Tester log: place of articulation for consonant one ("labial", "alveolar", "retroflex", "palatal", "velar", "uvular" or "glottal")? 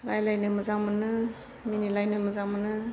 alveolar